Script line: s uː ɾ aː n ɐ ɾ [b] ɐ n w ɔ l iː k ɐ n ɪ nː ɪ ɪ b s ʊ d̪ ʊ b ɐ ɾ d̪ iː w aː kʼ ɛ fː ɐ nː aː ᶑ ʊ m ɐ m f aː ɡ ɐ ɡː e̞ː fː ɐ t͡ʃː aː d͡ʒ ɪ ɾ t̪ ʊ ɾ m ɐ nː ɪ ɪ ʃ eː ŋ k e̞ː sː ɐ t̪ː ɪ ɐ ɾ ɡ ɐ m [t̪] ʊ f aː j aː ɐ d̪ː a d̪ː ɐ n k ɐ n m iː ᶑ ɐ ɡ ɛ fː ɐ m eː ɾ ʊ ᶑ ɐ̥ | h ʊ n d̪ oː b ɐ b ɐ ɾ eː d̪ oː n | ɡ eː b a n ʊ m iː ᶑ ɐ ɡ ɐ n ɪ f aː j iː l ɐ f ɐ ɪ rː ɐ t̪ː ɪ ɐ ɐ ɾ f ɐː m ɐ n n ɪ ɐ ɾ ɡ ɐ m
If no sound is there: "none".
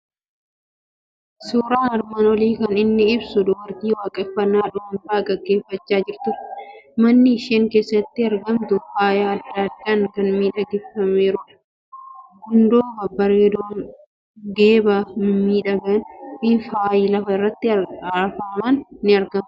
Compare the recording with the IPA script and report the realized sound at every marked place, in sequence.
m, t̪

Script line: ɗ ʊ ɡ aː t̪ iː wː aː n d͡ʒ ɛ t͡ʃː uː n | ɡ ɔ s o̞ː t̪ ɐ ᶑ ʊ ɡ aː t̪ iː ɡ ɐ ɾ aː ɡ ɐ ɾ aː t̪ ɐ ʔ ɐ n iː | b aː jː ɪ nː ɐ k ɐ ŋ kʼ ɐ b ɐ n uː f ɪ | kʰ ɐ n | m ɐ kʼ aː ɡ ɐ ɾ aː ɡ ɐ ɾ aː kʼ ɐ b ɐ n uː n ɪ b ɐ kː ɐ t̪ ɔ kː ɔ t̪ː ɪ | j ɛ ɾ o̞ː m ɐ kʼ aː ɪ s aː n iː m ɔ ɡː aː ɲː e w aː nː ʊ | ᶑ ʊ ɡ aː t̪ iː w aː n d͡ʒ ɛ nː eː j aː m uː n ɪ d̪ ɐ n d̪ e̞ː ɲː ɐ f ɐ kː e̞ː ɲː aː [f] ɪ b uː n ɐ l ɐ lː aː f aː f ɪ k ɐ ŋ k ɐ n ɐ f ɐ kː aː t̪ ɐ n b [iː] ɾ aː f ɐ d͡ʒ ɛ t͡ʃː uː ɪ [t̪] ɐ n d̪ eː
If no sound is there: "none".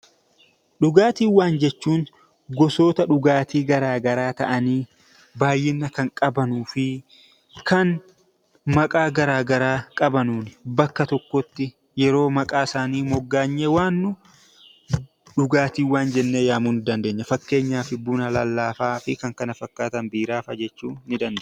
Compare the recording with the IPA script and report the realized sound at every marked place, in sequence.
f, iː, d̪

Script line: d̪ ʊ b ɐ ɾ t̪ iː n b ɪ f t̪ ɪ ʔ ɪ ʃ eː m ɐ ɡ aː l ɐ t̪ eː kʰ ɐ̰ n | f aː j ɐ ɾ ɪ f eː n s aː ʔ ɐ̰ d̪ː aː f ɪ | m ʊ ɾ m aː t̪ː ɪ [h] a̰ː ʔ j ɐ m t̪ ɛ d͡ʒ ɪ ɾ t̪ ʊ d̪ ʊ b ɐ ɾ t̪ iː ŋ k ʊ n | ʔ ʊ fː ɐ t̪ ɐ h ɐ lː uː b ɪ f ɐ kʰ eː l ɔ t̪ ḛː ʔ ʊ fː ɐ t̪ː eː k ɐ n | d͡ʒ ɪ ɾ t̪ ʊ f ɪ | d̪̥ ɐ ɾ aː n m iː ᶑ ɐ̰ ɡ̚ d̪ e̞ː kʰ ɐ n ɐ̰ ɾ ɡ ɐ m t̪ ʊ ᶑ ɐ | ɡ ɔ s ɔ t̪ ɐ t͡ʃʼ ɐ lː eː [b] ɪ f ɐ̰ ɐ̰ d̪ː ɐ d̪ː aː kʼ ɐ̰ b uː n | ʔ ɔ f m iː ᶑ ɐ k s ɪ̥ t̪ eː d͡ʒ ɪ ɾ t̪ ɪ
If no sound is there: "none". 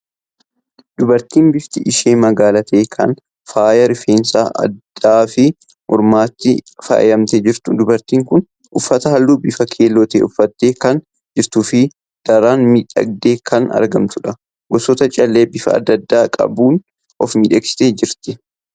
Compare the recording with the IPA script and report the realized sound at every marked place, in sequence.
f, b

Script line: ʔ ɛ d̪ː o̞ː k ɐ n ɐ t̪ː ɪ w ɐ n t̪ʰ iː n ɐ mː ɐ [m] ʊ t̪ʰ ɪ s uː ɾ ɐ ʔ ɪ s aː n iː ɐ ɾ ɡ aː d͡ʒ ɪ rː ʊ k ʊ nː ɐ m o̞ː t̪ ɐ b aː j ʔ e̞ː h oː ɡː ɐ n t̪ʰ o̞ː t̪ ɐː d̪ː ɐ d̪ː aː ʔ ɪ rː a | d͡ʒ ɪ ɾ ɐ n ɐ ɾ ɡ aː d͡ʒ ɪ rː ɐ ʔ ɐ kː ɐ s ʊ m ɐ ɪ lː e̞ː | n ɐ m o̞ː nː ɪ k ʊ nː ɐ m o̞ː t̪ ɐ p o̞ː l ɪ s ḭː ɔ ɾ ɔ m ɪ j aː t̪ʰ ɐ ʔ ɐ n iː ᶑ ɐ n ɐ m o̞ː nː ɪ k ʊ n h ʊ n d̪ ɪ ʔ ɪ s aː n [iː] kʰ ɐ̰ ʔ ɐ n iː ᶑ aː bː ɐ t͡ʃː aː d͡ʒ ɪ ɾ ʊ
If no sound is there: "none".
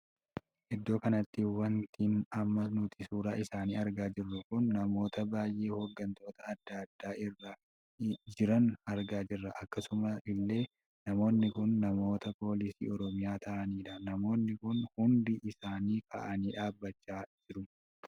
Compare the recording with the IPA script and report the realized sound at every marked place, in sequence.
n, iː

